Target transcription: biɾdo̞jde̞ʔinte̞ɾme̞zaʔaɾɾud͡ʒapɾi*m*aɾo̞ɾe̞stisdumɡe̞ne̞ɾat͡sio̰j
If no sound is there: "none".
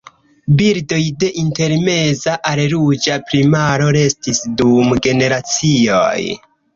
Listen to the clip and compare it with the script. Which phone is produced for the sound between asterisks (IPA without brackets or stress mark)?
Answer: m